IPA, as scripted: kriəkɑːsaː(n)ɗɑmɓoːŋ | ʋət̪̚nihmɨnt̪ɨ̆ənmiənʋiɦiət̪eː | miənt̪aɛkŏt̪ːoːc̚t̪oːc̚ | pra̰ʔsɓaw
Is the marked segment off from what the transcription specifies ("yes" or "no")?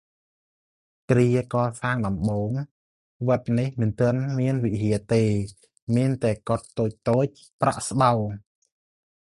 yes